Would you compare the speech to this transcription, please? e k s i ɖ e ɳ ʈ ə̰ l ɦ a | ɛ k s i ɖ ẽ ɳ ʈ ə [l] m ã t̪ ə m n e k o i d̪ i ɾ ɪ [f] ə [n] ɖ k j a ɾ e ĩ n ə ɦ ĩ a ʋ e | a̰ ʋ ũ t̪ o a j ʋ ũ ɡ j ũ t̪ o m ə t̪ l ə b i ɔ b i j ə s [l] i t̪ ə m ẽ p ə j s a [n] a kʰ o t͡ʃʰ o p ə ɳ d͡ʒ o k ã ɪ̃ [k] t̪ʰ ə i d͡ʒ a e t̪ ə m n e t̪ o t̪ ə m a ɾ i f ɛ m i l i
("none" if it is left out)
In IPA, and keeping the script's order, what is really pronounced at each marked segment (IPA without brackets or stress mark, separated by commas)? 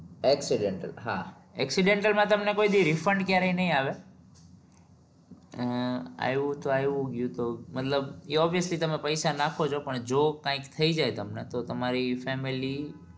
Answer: l, f, ɳ, l, n, k